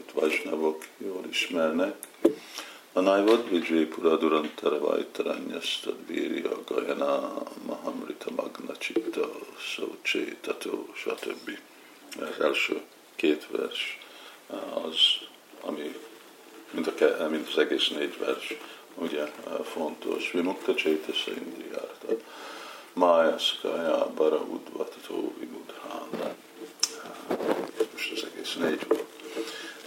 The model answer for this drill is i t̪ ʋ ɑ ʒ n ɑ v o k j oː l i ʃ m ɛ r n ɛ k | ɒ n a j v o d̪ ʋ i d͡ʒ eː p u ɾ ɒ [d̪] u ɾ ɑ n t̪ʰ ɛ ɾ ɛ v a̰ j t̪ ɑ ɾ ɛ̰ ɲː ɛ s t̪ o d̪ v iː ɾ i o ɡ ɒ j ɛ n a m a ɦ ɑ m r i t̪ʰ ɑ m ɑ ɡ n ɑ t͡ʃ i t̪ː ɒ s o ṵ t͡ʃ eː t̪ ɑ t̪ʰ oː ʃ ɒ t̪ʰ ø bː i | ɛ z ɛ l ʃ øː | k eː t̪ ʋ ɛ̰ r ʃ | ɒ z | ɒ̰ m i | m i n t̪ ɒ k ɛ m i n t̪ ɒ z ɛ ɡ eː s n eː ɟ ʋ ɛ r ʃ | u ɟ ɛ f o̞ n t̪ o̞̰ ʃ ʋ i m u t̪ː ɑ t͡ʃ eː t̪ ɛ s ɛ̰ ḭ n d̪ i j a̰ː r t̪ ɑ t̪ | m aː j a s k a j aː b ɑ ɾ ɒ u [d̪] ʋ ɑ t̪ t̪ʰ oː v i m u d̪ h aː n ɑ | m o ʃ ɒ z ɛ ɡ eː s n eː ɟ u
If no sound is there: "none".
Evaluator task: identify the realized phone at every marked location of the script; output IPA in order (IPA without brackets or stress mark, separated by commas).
d̪, d̪